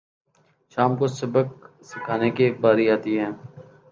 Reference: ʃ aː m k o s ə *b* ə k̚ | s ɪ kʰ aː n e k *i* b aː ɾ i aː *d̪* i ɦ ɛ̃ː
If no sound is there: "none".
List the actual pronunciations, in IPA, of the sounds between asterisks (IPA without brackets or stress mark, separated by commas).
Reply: b, e, t̪